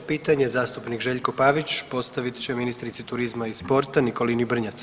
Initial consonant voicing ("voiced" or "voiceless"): voiceless